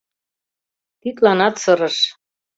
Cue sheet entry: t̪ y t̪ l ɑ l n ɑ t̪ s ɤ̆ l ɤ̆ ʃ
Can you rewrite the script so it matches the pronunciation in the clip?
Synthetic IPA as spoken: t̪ i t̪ l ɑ n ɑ t̪ s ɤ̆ ɾ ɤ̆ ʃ